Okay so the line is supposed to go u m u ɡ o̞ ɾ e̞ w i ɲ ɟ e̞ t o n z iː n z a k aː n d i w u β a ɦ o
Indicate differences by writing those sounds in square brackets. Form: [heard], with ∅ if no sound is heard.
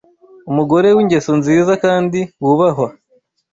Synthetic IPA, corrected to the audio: u m u ɡ o̞ ɾ e̞ w i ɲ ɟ e̞ [s] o n z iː [∅] z a k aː n d i w u β a ɦ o